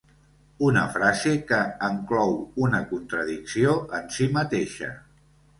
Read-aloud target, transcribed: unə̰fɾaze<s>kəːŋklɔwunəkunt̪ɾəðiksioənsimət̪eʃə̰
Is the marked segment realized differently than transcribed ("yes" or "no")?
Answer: yes